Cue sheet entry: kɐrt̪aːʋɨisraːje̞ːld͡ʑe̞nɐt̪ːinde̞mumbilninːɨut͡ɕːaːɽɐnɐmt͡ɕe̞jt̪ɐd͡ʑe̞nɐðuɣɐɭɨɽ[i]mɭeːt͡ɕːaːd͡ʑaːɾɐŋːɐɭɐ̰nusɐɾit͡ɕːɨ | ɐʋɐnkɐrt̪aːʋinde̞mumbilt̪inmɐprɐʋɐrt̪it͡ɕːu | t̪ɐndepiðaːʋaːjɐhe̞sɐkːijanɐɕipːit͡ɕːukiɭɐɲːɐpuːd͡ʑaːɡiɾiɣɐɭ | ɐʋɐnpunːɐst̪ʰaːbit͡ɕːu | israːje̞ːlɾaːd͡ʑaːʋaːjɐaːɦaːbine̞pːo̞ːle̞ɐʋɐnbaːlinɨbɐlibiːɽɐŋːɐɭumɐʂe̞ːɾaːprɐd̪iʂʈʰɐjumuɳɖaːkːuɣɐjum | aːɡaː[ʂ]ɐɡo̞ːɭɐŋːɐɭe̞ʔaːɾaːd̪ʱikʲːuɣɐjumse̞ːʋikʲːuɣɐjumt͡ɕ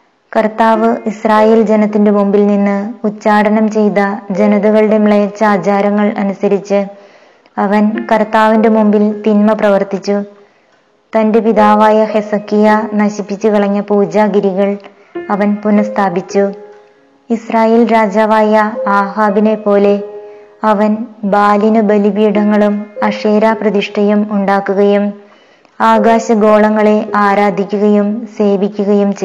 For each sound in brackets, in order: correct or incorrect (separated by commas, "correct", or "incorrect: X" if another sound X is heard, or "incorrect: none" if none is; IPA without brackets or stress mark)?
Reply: incorrect: e, incorrect: ɕ